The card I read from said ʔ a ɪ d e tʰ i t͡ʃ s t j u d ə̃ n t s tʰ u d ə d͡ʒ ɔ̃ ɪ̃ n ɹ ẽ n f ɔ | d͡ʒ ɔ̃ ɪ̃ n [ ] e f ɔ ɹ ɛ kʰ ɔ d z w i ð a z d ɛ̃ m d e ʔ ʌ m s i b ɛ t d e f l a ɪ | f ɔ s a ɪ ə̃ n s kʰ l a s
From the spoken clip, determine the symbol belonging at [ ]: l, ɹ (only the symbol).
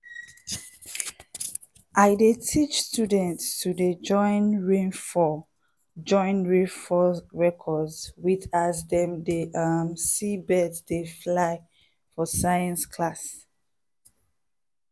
ɹ